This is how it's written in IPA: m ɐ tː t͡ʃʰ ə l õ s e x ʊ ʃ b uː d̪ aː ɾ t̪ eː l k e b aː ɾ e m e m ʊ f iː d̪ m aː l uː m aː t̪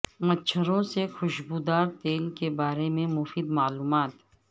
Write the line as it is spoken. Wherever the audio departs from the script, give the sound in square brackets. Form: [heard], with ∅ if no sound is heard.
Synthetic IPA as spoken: m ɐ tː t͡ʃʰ ə [ɾ] õ s e x ʊ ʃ b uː d̪ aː ɾ t̪ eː l k e b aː ɾ e m [ẽ] m ʊ f iː d̪ m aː l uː m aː t̪